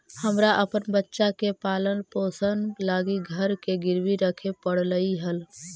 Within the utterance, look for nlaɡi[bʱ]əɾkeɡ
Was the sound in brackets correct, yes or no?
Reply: no